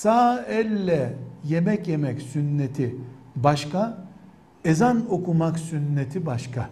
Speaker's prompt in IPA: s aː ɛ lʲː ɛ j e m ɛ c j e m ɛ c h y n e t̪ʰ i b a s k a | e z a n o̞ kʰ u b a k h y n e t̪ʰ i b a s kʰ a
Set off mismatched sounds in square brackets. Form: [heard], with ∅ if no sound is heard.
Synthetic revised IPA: s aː ɛ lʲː ɛ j e m ɛ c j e m ɛ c [s] y [nː] e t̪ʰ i b a [ʃ] k a | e z a n o̞ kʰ u [m] a k [s] y [nː] e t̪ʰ i b a [ʃ] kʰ a